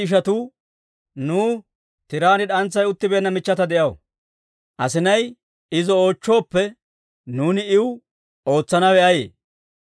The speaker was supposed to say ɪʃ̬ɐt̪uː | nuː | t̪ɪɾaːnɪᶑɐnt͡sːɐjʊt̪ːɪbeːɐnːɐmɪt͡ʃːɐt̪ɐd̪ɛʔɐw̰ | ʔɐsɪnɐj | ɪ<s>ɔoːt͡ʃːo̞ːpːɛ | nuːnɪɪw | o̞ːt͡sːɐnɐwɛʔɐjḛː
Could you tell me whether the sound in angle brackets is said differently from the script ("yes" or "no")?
yes